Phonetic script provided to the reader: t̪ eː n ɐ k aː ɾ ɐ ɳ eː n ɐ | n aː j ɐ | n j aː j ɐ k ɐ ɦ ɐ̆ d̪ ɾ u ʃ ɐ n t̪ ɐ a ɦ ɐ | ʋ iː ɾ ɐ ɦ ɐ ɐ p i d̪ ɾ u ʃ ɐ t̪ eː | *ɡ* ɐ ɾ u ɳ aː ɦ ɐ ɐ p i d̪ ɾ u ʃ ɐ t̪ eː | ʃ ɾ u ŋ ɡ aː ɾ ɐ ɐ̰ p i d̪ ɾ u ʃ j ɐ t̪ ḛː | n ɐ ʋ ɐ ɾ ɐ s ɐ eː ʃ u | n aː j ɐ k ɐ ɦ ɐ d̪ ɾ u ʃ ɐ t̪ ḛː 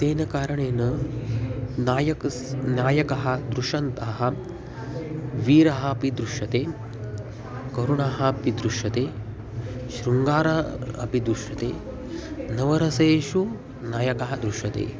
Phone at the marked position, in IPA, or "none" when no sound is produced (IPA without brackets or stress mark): k